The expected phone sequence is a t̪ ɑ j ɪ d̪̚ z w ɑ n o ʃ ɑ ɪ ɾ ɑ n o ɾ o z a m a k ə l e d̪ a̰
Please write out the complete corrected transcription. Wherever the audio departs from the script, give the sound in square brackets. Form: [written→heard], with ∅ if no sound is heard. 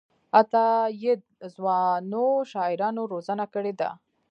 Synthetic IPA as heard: a t̪ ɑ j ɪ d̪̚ z w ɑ n o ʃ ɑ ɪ ɾ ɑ n o ɾ o z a [m→n] a k ə [l→ɽ] e d̪ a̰